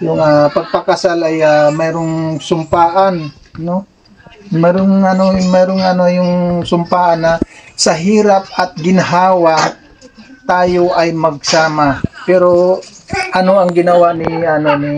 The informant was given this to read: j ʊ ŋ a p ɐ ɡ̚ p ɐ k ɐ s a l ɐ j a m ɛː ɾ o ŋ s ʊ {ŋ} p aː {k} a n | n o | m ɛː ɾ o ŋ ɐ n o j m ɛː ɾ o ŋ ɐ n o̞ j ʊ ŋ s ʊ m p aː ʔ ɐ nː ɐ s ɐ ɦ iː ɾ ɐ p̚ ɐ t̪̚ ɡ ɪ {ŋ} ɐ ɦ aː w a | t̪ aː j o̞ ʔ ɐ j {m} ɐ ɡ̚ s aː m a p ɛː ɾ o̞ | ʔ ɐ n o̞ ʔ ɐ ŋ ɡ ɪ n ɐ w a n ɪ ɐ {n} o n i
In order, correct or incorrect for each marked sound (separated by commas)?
incorrect, incorrect, incorrect, correct, correct